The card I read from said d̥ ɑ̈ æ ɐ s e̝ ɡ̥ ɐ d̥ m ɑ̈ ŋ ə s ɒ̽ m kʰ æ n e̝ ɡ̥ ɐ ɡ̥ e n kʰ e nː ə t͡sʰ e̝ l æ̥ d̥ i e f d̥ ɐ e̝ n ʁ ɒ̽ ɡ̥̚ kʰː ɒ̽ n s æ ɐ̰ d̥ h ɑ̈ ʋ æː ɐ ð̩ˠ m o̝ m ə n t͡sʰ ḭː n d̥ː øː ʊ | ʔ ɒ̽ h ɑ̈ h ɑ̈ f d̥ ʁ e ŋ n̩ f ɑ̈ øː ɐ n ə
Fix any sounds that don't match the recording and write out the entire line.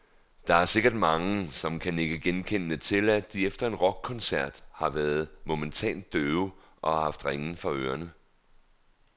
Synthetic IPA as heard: d̥ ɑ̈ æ ɐ s e̝ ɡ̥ ɐ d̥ m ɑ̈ ŋ ə s ɒ̽ m kʰ æ n e̝ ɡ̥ ə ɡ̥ e n kʰ e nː ə t͡sʰ e̝ l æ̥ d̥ i e f d̥ ɐ e̝ n ʁ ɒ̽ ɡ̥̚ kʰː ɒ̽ n s æ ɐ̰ d̥ h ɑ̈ ʋ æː ɐ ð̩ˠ m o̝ m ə n t͡sʰ ɛ̰ː n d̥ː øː ʊ | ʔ ɒ̽ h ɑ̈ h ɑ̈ f d̥ ʁ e ŋ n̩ f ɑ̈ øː ɐ n ə